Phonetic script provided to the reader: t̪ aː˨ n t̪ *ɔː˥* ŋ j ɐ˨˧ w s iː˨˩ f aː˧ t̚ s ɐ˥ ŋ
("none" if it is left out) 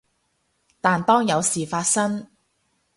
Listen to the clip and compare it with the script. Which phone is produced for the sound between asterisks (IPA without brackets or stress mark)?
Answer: ɔː˥